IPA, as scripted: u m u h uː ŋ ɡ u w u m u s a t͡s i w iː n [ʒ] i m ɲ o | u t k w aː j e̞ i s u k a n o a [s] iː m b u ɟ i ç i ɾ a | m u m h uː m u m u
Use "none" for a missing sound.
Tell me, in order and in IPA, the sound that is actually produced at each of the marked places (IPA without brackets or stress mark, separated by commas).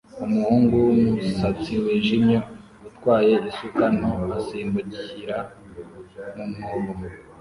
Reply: ʒ, s